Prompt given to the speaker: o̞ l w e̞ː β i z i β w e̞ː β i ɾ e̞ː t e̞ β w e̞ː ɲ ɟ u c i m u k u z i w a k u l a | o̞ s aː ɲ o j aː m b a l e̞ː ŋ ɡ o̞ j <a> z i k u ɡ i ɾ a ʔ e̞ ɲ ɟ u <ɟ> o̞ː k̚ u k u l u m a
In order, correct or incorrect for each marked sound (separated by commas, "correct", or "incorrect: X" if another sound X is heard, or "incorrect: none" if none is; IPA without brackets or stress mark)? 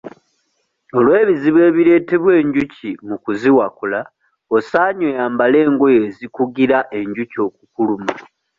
incorrect: e, incorrect: c